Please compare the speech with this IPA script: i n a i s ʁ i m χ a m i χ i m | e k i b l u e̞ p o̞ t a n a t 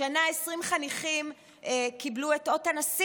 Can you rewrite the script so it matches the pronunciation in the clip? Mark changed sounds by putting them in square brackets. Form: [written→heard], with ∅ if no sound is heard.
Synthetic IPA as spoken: [i→a] n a [i→e] s ʁ i m χ a [m→n] i χ i m | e k i b l u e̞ [p→t] o̞ t a n a [t→s]